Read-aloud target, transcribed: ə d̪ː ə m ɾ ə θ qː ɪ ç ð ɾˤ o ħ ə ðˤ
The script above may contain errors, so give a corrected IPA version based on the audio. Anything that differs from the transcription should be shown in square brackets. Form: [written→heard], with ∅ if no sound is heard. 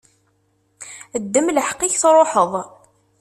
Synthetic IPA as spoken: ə d̪ː ə m [ɾ→l] ə [θ→ħ] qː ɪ ç [ð→θ] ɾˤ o ħ ə ðˤ